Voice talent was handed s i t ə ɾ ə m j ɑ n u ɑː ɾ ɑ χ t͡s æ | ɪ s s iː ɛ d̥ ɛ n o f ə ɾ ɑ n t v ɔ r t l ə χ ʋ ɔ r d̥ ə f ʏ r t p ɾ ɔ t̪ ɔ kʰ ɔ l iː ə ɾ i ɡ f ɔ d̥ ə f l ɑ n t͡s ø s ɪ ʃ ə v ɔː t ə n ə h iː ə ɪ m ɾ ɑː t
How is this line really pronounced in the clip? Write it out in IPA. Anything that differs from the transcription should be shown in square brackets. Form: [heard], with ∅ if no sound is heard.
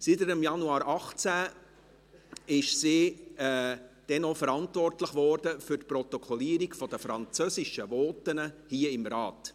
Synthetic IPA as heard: s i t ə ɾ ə m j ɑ n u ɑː ɾ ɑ χ t͡s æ | ɪ [ʃ] s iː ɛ d̥ ɛ n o f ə ɾ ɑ n t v ɔ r t l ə χ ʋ ɔ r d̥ ə f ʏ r t p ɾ ɔ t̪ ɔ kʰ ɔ l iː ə ɾ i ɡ f ɔ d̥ ə f [ɾ] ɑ n t͡s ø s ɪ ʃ ə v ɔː t ə n ə h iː ə ɪ m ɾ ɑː t

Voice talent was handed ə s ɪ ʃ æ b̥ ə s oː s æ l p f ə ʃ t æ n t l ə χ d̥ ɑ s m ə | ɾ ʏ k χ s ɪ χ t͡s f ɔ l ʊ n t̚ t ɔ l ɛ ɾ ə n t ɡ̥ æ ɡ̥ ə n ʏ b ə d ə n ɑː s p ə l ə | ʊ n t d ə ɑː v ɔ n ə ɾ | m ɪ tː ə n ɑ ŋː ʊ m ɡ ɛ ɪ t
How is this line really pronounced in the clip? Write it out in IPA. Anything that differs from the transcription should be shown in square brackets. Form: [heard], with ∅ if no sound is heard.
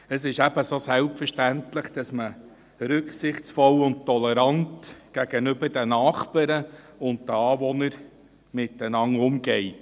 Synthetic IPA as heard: ə s ɪ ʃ æ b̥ ə s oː s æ l p f ə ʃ t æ n t l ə χ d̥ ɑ s m ə | ɾ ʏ k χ s ɪ χ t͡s f ɔ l ʊ n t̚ t ɔ l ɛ ɾ [ɑ] n t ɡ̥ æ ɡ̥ ə n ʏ b ə d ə n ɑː [χ] p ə [ɾ] ə | ʊ n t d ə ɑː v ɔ n ə ɾ | m ɪ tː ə n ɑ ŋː ʊ m ɡ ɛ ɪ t

